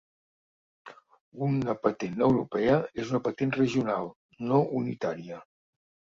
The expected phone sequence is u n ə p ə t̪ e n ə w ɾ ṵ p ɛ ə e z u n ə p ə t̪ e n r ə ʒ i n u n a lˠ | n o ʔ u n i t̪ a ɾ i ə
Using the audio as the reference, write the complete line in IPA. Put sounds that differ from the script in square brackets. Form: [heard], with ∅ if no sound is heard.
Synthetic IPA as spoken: u n ə p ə t̪ e n ə w ɾ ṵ p ɛ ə e z u n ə p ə t̪ e n r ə ʒ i [∅] u n a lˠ | n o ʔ u n i t̪ a ɾ i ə